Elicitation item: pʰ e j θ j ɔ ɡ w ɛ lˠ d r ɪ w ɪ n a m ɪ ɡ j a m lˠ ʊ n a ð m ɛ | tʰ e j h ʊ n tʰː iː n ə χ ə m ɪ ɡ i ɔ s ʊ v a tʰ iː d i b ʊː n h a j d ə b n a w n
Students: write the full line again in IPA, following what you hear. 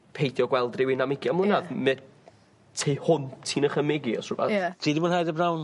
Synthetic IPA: pʰ e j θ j ɔ ɡ w ɛ lˠ d r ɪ w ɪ n a m ɪ ɡ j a m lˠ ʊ n a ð m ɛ | tʰ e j h ʊ n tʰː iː n ə χ ə m ɪ ɡ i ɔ s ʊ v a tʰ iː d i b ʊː n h a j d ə b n a w n